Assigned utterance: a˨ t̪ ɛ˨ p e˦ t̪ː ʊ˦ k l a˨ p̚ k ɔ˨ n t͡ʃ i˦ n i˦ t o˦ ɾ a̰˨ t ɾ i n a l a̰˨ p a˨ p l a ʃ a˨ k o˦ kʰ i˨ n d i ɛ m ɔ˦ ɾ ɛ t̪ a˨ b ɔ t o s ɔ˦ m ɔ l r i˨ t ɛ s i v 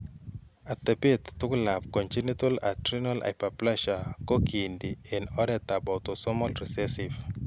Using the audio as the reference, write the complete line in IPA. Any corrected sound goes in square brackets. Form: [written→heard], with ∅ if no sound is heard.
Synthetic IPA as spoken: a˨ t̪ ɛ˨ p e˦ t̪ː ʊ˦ k l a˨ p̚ k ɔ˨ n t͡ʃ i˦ n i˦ t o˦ [ɾ→l] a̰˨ t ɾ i n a l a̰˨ p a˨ p l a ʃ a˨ k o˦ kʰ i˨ n d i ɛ [m→n] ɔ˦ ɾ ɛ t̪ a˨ b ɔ t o s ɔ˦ m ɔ l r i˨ [t→s] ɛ s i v